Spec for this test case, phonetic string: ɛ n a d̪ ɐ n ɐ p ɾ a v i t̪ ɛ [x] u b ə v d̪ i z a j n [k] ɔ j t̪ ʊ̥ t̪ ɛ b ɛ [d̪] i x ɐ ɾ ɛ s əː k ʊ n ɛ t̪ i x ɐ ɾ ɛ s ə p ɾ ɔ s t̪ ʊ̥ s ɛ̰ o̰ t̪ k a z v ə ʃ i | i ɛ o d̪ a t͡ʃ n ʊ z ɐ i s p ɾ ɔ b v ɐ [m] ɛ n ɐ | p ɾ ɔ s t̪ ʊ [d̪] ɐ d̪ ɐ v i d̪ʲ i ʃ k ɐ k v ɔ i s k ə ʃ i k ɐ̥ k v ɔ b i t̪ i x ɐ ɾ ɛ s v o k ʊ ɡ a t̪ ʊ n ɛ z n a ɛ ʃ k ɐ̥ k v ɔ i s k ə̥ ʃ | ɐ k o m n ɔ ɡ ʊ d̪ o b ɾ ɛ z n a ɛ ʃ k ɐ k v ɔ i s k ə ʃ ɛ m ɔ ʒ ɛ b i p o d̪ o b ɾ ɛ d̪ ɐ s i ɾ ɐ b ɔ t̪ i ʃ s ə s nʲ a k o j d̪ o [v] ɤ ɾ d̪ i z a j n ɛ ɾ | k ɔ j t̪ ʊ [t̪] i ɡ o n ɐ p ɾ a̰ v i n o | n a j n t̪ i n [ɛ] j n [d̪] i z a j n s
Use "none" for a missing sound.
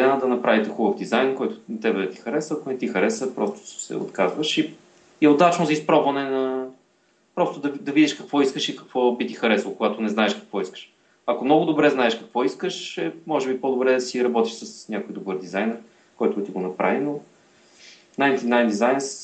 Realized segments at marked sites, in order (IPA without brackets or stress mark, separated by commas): x, k, t̪, n, d̪, b, t̪, a, d̪